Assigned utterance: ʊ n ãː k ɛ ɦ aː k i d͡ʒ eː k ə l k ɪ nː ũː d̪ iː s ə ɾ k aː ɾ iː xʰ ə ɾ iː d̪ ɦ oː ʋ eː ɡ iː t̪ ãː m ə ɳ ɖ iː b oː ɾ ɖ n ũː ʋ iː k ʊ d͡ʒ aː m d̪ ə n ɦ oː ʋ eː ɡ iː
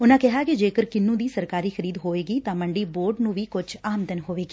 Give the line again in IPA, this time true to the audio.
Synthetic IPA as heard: ʊ n ãː k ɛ ɦ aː k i d͡ʒ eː k ə ɾ k ɪ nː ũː d̪ iː s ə ɾ k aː ɾ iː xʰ ə ɾ iː d̪ ɦ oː ʋ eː ɡ iː t̪ ãː m ə ɳ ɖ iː b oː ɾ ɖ n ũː ʋ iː k ʊ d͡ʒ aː m d̪ ə n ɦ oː ʋ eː ɡ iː